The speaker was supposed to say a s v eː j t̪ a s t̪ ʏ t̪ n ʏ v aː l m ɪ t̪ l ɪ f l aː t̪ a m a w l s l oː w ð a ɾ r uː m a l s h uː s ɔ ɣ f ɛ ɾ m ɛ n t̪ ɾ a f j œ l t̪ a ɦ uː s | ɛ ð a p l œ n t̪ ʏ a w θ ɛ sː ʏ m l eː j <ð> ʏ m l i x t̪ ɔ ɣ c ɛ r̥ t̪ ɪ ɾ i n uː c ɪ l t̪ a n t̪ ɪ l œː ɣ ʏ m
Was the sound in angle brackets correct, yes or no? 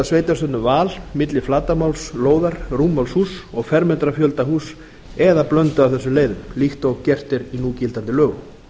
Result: yes